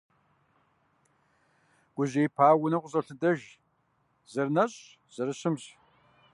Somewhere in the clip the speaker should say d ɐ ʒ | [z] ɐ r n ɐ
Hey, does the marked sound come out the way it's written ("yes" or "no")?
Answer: yes